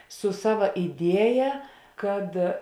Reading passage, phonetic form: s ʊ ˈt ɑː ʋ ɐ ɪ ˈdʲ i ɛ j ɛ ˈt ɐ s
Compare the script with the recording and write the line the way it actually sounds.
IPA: s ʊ ˈs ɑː ʋ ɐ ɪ ˈdʲ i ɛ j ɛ ˈk ɐ t